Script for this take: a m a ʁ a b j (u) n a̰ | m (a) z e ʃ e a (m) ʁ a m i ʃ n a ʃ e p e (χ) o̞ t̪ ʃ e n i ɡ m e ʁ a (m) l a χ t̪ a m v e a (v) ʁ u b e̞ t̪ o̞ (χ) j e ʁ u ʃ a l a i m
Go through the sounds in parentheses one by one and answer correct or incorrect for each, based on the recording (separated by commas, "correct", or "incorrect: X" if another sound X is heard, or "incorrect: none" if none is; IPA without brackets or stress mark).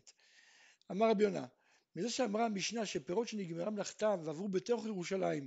incorrect: o, incorrect: i, correct, incorrect: ʁ, correct, correct, correct